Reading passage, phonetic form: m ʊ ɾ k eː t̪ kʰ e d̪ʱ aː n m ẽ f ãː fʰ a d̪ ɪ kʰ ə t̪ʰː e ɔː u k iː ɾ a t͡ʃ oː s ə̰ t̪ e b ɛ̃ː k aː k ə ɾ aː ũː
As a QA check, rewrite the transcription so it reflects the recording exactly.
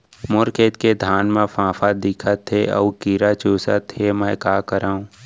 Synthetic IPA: m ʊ ɾ k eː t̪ k e d̪ʱ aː n m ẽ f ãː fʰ a d̪ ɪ kʰ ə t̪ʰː e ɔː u k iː ɾ a t͡ʃ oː s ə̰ t̪ e m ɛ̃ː k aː k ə ɾ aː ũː